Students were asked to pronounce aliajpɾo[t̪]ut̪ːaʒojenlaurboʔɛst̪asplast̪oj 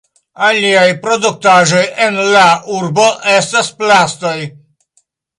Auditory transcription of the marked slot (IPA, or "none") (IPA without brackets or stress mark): d̪